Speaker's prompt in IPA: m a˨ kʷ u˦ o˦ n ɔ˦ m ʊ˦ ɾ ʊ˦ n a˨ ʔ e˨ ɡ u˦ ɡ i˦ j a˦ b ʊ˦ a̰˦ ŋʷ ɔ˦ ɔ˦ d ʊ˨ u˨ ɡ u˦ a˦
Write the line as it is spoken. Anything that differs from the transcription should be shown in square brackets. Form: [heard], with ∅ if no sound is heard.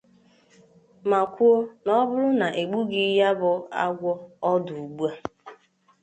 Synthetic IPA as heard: m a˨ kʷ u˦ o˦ n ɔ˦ [b] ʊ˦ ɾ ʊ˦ n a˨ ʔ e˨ [ɡ͡b] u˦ ɡ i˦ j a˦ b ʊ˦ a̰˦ [ɡʷ] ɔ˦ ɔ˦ d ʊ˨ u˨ [ɡ͡b] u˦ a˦